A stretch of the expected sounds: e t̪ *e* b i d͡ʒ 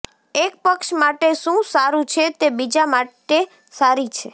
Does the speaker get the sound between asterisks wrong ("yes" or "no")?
no